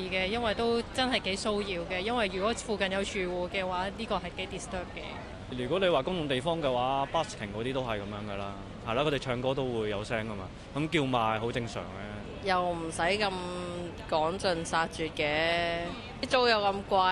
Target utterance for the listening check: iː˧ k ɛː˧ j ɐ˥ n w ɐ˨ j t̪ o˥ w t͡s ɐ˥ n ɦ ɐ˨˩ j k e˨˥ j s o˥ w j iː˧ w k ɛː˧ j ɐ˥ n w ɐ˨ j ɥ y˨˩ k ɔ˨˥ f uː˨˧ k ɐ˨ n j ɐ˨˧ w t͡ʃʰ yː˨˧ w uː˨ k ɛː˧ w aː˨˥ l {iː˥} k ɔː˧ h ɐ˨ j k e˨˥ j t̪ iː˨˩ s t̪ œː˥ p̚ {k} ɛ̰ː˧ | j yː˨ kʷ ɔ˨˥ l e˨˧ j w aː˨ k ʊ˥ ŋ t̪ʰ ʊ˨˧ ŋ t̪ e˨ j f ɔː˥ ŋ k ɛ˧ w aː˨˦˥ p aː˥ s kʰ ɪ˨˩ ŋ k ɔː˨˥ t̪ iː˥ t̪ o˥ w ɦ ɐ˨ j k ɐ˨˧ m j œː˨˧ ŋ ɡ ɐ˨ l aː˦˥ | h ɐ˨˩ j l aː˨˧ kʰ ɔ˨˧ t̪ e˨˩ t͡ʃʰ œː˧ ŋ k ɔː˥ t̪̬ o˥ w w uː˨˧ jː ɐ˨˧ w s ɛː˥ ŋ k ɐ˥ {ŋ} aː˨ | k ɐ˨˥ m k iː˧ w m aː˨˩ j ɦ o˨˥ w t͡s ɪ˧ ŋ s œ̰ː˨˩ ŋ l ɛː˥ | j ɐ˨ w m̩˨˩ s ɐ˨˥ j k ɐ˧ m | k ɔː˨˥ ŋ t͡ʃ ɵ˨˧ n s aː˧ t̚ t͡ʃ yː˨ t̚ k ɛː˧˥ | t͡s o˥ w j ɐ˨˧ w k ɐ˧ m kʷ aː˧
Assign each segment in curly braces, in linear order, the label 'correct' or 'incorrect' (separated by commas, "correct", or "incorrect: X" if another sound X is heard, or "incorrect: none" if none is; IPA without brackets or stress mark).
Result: correct, correct, incorrect: m